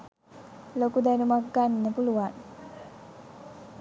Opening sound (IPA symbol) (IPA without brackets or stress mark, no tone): l